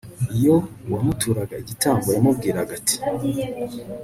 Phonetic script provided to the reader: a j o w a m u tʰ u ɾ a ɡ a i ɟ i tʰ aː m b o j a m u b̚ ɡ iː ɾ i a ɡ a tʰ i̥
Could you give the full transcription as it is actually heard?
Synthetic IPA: i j o w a m u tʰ u ɾ a ɡ a i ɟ i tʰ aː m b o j a m u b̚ ɡ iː ɾ a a ɡ a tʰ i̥